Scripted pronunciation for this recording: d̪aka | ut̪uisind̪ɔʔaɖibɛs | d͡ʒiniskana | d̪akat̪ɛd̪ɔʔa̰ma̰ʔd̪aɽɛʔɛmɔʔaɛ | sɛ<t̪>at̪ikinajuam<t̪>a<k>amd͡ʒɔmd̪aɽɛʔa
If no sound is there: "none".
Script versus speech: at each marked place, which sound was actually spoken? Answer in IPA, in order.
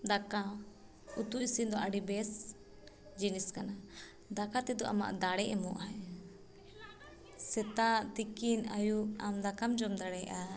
t̪, d̪, k

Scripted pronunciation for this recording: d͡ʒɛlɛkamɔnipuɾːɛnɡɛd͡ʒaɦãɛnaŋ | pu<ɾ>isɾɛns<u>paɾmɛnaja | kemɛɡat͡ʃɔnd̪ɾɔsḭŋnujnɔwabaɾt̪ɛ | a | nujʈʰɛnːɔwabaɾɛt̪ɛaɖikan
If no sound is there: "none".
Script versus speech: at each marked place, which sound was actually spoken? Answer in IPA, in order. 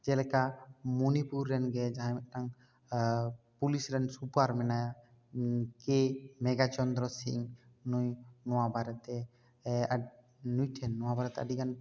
l, u

